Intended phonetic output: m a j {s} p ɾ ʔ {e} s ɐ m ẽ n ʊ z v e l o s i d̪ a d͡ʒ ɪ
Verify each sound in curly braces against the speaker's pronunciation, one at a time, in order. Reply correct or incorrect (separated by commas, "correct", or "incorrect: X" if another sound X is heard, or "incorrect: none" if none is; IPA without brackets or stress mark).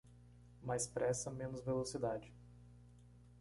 correct, incorrect: ɛ